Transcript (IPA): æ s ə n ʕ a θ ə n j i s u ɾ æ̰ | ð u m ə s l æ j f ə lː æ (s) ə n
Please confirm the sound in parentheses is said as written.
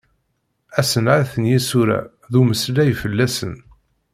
yes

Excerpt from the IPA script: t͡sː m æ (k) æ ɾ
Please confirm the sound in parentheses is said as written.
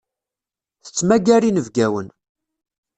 no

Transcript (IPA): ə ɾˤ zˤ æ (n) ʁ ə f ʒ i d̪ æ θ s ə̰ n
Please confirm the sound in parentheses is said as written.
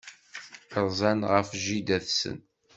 yes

